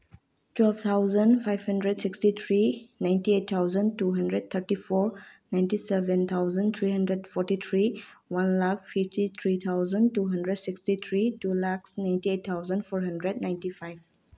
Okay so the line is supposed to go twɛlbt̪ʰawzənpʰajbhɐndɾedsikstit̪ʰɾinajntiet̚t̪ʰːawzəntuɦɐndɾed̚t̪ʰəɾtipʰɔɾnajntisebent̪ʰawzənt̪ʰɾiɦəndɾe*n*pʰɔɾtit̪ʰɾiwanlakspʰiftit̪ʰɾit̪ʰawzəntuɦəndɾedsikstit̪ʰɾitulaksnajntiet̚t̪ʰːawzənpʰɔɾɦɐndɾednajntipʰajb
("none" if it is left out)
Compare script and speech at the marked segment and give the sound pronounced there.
d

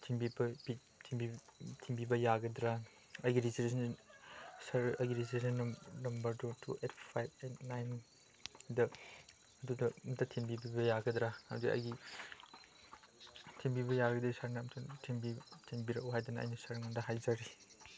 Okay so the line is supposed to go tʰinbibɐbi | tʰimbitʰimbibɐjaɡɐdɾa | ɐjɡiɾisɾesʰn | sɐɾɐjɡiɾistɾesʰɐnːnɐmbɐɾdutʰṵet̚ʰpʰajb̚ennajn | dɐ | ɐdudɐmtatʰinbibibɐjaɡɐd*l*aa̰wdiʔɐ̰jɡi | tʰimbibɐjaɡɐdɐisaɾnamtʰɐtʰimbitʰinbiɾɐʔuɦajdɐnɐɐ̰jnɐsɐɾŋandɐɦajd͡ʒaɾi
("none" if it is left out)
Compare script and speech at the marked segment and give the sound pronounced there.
ɾ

